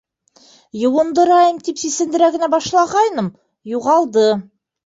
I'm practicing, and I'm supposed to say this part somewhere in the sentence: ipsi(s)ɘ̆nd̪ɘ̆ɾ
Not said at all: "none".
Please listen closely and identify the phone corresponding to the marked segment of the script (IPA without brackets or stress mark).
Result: s